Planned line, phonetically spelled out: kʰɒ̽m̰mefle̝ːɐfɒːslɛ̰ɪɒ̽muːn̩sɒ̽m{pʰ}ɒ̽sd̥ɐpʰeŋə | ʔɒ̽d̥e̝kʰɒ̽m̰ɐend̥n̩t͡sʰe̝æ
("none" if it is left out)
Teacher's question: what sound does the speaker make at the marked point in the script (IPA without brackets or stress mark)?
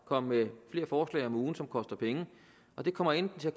kʰ